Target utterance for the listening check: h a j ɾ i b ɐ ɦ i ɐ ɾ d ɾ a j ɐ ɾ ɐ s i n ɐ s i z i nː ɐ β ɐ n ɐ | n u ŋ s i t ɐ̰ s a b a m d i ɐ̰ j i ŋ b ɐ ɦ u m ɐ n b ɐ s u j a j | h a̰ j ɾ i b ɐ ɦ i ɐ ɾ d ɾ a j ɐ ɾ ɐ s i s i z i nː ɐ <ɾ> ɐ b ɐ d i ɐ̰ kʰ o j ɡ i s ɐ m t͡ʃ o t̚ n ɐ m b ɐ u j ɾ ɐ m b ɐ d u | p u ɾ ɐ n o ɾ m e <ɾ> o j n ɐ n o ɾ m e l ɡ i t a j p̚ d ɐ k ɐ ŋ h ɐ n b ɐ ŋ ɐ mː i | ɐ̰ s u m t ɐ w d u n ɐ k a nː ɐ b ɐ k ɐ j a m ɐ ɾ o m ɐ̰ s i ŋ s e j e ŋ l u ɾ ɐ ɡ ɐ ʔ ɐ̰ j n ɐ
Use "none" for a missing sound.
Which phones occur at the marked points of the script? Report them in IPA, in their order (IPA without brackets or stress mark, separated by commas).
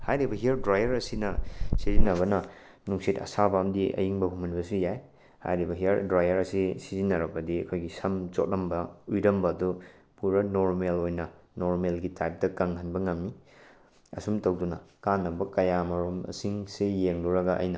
ɾ, l